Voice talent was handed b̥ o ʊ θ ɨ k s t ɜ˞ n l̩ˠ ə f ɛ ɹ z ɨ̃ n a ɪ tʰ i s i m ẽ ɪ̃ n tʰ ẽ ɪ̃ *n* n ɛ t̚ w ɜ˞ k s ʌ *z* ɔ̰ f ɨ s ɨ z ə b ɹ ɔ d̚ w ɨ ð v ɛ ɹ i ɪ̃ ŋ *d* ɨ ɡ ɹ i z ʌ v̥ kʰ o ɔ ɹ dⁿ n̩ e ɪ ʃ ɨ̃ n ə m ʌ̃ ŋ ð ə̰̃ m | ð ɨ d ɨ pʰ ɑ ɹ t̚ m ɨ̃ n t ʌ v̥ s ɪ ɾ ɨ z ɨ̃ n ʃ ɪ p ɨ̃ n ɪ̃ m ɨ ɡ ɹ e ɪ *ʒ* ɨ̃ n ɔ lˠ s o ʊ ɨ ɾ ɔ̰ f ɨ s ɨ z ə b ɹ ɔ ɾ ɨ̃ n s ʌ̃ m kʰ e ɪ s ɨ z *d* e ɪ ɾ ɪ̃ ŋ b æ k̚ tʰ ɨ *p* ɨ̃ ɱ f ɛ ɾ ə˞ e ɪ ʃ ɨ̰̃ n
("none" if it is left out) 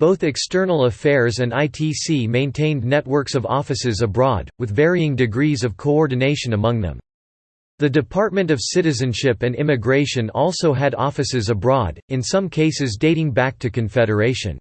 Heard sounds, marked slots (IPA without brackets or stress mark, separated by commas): n, v, d, ʃ, d, k